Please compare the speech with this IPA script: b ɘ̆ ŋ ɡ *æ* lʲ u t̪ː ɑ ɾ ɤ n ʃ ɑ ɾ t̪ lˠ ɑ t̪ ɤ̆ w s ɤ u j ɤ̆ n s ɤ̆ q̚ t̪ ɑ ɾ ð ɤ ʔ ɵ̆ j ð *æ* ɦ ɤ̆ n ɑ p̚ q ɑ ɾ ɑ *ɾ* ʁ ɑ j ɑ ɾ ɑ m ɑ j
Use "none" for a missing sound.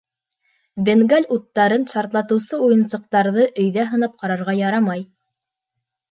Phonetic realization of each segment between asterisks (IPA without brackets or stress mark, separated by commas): æ, æ, ɾ